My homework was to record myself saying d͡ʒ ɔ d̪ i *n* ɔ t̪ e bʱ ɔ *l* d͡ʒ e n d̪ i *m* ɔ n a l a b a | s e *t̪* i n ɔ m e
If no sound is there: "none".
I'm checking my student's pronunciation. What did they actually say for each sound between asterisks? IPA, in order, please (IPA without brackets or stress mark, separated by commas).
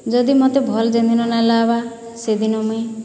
m, l, n, d̪